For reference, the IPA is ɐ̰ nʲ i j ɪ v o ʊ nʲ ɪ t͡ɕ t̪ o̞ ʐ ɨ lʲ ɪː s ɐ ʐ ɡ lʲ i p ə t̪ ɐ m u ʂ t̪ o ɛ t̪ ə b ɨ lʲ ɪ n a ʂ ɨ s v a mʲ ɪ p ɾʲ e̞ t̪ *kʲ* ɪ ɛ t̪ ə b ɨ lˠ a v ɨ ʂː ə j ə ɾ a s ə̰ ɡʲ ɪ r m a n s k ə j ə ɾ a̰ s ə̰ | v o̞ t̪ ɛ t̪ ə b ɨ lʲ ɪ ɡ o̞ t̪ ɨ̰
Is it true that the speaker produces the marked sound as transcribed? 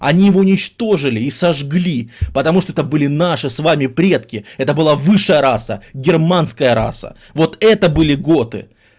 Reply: yes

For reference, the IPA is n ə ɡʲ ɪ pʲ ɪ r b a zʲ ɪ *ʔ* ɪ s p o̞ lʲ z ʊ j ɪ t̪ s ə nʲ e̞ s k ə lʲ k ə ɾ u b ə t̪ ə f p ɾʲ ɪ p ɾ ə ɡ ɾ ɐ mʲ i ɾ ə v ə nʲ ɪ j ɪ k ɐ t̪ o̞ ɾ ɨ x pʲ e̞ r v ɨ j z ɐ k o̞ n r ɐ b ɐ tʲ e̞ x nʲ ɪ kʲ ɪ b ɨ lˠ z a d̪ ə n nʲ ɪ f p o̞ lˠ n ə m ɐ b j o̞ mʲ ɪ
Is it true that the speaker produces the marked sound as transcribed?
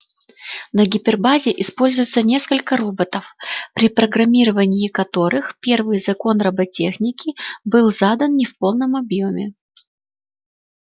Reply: yes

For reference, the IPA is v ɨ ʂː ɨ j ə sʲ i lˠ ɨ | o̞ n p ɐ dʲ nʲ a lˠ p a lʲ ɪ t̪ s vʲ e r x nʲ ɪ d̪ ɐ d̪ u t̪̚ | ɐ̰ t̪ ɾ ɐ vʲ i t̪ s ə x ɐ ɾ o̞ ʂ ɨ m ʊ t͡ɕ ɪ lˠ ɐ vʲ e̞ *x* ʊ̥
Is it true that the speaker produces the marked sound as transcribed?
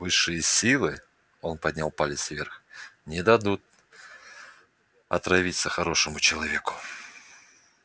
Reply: no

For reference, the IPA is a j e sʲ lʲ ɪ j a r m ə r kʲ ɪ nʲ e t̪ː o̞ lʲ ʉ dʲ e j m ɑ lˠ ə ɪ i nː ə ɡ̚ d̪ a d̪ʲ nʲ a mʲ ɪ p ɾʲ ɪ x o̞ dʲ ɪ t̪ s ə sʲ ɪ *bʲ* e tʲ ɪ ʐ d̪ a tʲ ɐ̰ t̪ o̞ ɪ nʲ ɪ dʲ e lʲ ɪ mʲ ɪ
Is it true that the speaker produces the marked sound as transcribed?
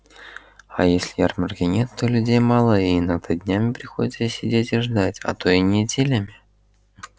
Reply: no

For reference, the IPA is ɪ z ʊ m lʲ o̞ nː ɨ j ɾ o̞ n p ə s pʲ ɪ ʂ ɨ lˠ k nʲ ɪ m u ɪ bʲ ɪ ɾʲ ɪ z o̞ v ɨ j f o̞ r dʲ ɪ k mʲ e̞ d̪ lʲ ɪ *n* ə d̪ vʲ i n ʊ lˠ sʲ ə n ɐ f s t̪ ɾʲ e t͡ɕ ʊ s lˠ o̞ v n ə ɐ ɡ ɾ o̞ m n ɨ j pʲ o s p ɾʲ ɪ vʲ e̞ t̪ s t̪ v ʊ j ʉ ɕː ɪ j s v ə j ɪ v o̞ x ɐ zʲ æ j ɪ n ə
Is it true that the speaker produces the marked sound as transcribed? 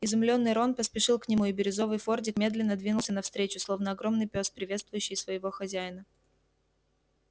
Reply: no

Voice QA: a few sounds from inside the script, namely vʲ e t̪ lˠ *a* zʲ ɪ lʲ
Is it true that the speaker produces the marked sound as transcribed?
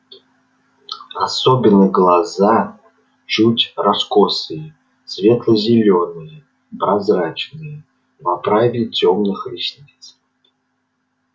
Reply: no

